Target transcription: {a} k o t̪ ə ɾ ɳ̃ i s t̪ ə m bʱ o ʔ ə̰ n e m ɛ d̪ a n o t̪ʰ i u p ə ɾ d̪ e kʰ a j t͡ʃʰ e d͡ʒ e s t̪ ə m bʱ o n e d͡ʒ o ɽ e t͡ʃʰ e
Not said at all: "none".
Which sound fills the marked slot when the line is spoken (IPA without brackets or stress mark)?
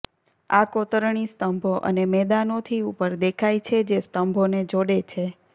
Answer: a